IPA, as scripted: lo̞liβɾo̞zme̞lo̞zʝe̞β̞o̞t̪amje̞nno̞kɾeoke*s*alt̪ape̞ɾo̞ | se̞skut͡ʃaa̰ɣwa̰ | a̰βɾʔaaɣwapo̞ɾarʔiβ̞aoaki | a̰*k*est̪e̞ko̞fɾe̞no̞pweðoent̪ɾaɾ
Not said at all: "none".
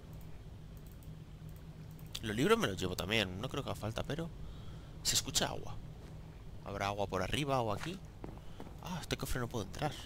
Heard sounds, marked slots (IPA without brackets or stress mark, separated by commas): f, none